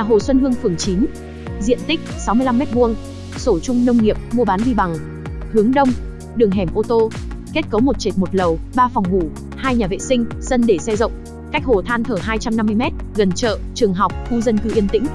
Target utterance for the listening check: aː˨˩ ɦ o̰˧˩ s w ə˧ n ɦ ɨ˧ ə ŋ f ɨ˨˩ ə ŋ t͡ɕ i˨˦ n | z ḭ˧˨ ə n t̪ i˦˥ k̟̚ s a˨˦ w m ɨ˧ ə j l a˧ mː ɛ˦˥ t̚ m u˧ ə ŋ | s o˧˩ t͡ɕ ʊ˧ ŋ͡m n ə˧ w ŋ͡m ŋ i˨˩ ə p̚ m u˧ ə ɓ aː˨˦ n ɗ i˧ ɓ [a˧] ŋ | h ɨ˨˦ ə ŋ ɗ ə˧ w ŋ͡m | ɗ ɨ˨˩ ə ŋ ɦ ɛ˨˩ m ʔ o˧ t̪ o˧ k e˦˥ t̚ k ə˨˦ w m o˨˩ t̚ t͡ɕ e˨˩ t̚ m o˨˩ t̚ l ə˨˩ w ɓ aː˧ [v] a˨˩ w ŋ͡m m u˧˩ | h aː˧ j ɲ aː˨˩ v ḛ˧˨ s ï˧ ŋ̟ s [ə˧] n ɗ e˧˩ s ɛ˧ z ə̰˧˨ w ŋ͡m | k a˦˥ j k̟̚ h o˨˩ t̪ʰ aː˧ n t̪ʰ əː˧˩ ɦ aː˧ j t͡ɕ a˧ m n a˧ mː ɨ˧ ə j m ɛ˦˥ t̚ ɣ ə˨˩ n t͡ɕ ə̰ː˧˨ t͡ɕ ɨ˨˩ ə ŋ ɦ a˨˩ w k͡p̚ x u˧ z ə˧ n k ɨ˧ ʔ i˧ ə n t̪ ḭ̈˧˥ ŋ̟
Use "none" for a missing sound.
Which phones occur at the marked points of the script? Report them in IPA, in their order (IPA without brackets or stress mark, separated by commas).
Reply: a˨˩, f, ə˧